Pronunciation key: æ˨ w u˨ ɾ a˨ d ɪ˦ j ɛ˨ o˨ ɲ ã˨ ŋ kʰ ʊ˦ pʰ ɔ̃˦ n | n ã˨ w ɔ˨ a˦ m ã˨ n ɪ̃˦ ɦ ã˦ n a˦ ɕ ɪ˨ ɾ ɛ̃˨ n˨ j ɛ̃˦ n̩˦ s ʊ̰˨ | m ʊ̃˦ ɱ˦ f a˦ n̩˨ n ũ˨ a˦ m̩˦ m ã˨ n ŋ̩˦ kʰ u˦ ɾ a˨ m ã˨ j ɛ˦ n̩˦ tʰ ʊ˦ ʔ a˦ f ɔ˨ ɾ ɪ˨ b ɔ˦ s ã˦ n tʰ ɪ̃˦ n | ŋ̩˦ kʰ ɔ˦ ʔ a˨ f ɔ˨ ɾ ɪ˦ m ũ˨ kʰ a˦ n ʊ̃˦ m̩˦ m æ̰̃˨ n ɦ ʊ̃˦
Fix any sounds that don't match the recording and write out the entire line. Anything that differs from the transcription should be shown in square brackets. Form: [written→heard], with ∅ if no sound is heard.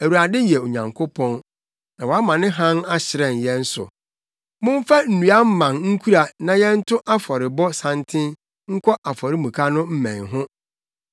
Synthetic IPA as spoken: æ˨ w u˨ ɾ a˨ d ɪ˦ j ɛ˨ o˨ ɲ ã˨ ŋ kʰ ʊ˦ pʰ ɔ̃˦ n | n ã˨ w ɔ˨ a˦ m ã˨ n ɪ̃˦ ɦ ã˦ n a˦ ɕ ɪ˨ ɾ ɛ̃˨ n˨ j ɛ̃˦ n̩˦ s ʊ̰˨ | m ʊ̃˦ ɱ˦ f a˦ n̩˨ n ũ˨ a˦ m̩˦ m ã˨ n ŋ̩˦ kʰ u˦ ɾ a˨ [m→n] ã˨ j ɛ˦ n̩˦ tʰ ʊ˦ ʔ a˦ f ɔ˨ ɾ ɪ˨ b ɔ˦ s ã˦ n tʰ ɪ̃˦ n | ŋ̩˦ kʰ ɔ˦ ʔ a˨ f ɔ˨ ɾ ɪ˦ m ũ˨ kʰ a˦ n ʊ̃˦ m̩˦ m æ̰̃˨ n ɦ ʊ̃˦